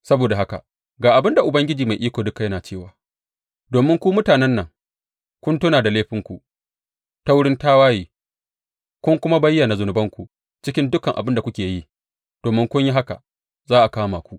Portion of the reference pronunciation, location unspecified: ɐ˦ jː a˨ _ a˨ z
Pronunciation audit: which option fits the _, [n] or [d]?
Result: n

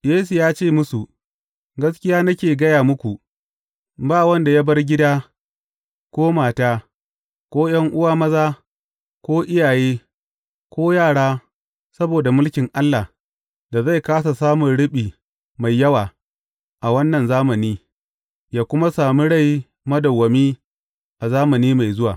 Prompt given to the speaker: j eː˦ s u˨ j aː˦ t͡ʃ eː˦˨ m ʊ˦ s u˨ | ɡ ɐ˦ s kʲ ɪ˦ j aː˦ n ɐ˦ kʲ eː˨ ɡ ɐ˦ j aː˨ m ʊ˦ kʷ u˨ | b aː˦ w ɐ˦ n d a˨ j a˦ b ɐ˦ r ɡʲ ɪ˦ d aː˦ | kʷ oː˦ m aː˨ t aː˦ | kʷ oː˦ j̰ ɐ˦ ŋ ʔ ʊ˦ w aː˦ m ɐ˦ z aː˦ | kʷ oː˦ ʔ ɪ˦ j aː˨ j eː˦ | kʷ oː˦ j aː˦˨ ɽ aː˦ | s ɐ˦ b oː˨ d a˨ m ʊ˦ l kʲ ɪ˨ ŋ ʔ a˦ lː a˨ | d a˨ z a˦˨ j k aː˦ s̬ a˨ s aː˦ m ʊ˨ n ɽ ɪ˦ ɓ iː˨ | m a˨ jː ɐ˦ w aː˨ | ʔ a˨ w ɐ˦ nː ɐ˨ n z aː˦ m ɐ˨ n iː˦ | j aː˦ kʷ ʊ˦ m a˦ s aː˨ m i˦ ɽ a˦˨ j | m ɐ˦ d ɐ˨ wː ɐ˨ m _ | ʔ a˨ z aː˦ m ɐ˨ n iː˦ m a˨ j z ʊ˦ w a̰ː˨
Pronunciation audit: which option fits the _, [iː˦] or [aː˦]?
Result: iː˦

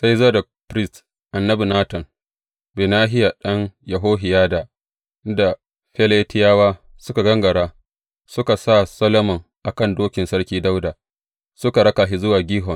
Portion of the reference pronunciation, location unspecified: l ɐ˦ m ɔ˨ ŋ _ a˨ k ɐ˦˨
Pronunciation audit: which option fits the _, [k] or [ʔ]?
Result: ʔ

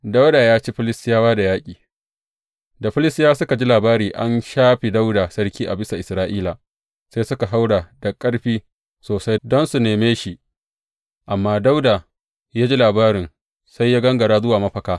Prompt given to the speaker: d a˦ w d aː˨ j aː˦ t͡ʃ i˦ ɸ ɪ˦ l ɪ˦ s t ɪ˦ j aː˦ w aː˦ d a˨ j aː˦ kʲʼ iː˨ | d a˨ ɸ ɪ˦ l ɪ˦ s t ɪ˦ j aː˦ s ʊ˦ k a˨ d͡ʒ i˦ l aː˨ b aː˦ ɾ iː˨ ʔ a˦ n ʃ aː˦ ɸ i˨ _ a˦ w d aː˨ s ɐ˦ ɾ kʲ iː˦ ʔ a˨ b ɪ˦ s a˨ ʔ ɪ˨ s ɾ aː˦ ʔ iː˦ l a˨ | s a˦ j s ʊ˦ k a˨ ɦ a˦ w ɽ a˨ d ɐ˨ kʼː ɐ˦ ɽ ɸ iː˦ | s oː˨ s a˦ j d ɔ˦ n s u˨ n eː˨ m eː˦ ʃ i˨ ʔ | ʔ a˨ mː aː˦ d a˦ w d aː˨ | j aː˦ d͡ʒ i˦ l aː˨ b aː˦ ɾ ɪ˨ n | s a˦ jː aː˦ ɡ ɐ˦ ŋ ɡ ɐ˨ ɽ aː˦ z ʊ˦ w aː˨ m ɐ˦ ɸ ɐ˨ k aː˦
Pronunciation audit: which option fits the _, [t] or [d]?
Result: d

